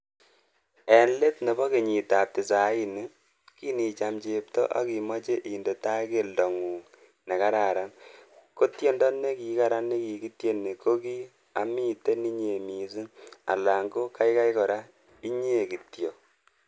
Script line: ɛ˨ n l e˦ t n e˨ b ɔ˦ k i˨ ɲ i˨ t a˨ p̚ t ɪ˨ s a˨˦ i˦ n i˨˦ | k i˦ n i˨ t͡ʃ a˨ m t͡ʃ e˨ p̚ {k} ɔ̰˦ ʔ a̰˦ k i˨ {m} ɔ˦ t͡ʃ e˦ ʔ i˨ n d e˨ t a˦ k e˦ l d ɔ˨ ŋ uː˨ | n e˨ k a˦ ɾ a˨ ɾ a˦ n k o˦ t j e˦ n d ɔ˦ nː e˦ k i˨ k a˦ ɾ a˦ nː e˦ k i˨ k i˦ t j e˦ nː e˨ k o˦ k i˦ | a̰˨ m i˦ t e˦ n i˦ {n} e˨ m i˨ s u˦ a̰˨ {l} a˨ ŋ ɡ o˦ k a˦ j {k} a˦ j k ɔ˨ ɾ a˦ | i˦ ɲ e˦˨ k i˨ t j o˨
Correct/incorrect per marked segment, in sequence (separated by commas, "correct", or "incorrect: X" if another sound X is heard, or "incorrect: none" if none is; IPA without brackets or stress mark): incorrect: t, correct, incorrect: ɲ, correct, correct